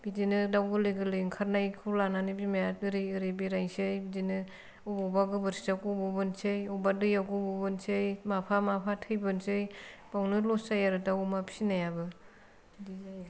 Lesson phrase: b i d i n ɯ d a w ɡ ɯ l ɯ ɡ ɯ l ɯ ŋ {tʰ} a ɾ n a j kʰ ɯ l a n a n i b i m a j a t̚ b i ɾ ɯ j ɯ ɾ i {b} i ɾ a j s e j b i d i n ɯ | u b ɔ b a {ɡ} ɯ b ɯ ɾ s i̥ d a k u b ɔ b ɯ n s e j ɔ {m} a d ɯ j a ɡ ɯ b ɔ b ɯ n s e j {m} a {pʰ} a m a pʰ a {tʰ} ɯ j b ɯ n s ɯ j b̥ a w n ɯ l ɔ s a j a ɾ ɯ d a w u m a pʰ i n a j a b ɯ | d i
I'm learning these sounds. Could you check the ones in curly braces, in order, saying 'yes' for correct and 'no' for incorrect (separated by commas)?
no, yes, yes, no, yes, yes, yes